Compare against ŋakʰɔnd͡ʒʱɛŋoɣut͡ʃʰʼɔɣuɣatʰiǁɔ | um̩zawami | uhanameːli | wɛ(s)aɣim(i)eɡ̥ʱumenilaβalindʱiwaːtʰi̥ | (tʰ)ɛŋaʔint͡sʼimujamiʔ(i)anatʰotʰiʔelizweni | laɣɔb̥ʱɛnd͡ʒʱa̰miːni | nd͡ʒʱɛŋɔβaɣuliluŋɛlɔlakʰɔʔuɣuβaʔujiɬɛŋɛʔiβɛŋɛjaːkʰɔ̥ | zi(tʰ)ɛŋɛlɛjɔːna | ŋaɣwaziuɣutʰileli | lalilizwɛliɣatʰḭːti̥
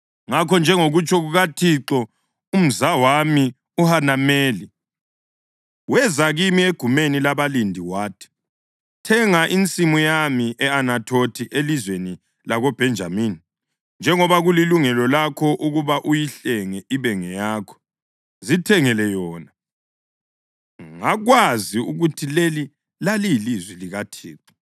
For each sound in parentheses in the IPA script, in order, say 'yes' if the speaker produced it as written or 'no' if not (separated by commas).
no, yes, yes, no, yes